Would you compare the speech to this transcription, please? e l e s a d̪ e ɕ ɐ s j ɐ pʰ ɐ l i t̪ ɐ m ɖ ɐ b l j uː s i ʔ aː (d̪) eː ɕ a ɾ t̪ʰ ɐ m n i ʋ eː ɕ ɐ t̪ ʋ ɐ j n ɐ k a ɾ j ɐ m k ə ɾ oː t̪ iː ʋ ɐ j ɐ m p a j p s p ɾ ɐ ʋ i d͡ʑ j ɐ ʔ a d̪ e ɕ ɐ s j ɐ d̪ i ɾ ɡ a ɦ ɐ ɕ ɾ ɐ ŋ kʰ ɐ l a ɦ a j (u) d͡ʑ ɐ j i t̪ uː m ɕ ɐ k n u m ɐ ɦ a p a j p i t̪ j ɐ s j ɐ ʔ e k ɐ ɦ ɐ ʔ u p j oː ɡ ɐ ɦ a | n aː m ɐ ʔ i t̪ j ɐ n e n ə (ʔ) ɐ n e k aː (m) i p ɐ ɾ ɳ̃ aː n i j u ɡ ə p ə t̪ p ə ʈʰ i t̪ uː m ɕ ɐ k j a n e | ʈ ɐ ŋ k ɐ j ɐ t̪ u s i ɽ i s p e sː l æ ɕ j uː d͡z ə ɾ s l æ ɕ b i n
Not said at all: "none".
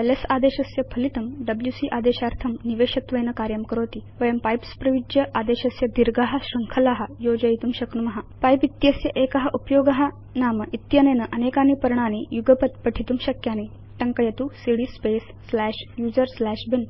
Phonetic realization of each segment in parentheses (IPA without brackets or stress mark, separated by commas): d̪, o, ʔ, n